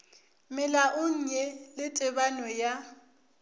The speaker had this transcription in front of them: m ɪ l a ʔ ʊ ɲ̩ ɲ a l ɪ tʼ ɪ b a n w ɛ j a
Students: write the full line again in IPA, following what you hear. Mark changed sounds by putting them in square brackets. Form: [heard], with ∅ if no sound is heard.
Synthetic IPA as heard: m ɪ l a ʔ ʊ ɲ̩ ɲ [ɛ] l ɪ tʼ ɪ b a n w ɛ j a